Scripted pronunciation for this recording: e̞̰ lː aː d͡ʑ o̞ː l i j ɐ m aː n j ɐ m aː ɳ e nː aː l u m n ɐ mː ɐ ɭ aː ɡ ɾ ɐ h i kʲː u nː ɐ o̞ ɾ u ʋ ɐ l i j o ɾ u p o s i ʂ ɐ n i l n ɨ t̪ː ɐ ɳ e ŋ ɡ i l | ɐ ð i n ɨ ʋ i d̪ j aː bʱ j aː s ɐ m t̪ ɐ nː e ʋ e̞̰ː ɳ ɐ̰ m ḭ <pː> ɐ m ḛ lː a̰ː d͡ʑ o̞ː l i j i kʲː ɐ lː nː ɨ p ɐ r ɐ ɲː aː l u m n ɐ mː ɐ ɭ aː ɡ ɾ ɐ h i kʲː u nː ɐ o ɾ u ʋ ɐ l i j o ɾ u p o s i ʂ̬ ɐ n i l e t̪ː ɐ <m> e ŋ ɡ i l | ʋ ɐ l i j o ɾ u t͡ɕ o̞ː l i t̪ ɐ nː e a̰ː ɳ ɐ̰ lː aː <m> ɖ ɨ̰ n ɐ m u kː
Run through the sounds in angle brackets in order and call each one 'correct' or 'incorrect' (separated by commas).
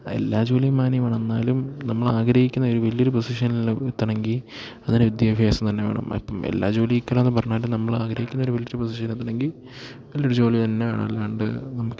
correct, incorrect, incorrect